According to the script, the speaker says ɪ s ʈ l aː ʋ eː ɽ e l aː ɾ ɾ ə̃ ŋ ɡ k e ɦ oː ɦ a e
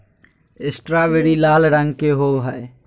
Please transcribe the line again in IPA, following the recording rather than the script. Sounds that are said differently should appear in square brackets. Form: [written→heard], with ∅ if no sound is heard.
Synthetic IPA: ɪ s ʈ [l→ɾ] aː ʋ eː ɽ [e→i] l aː [ɾ→l] ɾ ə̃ ŋ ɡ k e ɦ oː ɦ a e